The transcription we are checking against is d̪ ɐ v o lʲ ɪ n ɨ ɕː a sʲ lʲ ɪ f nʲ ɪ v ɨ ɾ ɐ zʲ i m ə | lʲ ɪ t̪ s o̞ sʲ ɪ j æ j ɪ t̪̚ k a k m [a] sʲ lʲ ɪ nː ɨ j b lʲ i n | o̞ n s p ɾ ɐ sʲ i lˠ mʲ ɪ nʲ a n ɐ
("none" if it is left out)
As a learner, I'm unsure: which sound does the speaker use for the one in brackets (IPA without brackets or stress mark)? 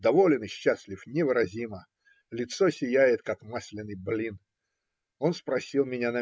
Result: a